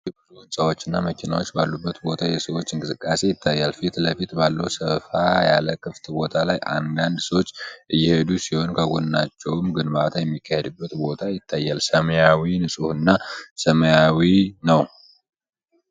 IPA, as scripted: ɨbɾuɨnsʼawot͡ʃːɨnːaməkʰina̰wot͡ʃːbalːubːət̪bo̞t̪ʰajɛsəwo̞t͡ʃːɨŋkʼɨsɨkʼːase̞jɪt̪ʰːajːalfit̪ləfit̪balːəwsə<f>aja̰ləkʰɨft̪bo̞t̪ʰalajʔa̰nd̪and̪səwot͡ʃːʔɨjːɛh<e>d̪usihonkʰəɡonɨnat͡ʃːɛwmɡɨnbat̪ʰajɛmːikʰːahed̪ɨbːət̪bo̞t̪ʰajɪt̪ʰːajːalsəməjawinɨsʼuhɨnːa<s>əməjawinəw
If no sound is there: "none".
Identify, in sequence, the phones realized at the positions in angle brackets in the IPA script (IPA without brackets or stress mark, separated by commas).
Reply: f, e, s